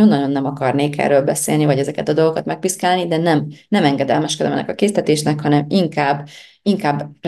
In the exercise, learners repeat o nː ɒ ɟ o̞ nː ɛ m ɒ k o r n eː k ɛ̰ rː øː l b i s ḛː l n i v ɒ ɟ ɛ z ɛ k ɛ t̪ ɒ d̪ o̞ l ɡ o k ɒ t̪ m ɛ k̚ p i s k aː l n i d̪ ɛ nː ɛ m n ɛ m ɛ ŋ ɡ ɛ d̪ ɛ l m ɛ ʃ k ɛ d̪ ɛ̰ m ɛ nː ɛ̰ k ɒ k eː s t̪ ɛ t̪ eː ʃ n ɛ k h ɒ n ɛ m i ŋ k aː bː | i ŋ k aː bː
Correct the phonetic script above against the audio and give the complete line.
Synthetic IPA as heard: o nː ɒ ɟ o̞ nː ɛ m ɒ k ɒ r n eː k ɛ̰ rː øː l b ɛ s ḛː l n i v ɒ ɟ ɛ z ɛ k ɛ t̪ ɒ d̪ o̞ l ɡ o k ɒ t̪ m ɛ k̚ p i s k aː l n i d̪ ɛ n ɛ m n ɛ m ɛ ŋ ɡ ɛ d̪ ɛ l m ɛ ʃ k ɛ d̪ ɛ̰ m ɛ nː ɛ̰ k ɒ k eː s t̪ ɛ t̪ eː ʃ n ɛ k h ɒ n ɛ m i ŋ k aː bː | i ŋ k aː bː